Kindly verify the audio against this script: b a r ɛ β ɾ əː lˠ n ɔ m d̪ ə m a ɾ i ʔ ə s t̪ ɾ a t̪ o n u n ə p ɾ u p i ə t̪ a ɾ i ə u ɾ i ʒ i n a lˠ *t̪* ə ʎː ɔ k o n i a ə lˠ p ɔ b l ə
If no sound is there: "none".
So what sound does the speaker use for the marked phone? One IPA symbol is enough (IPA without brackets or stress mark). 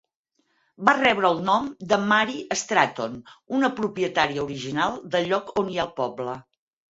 d̪